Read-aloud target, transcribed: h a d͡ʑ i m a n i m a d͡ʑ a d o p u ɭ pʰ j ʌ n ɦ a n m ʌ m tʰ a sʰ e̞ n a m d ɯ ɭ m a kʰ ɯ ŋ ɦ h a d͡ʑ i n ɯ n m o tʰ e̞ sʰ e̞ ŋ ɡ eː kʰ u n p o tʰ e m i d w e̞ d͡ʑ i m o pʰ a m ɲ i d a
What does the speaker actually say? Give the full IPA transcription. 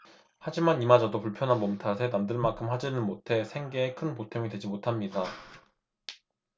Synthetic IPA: h a d͡ʑ i m a n i m a d͡ʑ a d o p u ɭ pʰ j ʌ n ɦ a n m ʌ m tʰ a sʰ e̞ n a m d ɯ ɭ m a kʰ ɯ m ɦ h a d͡ʑ i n ɯ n m o tʰ e̞ sʰ e̞ ŋ ɡ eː kʰ ɯ n p o tʰ e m i d w e̞ d͡ʑ i m o tʰ a m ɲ i d a